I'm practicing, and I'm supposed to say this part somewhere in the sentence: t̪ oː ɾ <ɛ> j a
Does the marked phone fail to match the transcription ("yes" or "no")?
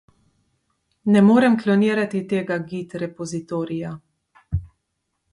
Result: yes